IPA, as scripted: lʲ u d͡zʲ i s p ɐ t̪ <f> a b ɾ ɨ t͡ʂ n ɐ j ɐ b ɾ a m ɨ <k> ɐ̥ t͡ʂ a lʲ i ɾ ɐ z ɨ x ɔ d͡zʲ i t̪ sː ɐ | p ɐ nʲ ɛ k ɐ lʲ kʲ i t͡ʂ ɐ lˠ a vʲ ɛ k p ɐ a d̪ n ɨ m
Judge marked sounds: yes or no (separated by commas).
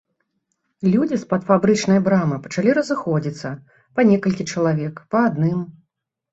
yes, no